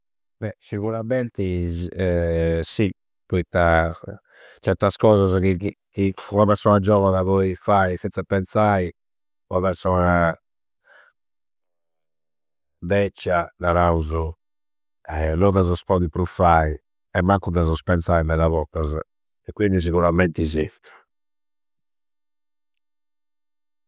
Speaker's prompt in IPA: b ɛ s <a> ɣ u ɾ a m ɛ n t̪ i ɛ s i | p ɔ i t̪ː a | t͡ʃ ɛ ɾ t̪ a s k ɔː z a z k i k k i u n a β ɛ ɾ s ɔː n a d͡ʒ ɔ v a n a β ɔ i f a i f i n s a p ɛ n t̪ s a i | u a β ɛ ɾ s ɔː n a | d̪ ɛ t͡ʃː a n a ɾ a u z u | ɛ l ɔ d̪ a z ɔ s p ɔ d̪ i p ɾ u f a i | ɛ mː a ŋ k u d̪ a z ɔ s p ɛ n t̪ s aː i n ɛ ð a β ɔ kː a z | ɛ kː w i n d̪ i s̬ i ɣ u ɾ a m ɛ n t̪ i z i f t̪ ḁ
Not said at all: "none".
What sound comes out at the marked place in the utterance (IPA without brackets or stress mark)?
i